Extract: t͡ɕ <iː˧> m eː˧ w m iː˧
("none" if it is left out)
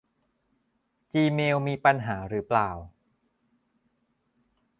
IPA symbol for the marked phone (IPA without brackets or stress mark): iː˧